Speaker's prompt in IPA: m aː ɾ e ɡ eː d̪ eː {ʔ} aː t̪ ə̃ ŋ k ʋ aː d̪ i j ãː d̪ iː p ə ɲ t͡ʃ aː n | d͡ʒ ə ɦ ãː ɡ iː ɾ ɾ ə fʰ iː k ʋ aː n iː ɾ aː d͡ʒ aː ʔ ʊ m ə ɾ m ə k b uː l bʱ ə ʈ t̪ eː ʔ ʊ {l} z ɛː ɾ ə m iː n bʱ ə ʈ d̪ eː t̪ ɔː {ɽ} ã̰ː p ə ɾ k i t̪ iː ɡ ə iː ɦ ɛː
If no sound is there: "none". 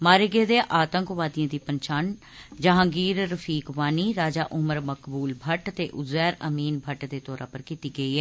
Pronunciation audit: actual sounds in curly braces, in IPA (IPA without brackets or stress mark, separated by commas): ʔ, none, ɾ